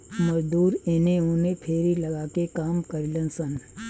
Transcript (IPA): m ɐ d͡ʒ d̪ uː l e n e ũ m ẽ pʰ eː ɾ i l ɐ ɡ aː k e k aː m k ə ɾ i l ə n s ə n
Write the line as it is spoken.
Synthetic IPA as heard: m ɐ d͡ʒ d̪ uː ɾ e n e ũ n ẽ pʰ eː ɾ i l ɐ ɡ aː k e k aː m k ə ɾ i l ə n s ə n